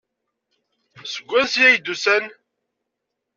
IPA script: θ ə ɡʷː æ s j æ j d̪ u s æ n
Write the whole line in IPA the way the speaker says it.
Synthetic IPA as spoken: s ə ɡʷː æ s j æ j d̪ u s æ n